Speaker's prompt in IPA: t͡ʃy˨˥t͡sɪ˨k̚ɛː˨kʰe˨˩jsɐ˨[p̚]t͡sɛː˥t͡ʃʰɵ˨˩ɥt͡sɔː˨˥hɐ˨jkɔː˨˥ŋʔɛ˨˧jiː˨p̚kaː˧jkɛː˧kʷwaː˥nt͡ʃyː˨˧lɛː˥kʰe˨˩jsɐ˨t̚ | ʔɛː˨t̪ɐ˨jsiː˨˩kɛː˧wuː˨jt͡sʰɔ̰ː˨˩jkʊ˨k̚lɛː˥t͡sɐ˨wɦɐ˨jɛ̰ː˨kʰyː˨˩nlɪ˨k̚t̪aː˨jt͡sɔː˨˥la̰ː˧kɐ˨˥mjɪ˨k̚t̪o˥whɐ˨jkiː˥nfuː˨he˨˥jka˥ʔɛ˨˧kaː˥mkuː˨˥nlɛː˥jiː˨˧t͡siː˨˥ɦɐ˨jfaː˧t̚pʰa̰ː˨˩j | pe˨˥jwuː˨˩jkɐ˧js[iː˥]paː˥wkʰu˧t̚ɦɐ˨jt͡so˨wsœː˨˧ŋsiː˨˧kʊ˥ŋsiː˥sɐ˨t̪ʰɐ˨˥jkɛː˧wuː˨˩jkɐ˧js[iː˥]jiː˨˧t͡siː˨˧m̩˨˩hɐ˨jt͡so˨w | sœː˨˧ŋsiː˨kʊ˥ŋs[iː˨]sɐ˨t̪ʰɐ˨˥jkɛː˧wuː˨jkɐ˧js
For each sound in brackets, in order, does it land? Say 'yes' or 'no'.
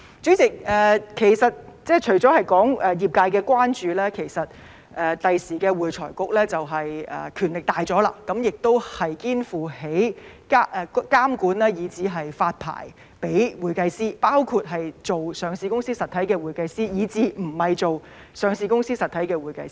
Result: no, yes, yes, no

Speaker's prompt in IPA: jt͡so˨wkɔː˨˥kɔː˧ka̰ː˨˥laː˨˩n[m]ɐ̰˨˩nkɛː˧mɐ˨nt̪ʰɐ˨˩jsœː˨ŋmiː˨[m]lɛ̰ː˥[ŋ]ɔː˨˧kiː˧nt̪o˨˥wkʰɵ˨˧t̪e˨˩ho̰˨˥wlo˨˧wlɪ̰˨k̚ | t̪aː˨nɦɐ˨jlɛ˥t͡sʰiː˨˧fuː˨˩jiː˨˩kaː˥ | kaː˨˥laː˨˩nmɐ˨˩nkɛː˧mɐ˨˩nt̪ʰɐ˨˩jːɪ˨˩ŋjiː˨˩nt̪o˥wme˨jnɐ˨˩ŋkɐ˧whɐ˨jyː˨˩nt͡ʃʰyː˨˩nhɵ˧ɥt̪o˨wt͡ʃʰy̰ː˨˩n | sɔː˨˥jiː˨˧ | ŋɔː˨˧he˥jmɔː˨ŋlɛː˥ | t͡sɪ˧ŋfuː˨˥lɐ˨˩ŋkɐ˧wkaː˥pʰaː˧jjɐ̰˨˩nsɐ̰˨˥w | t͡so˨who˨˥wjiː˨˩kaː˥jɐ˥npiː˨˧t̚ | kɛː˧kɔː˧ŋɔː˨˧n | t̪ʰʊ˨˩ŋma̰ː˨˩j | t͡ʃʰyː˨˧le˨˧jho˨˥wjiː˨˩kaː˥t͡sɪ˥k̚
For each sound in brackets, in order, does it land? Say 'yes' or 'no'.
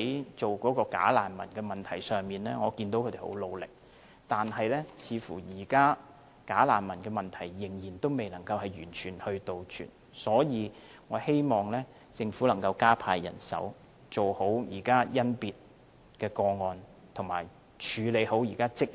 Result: yes, no, yes

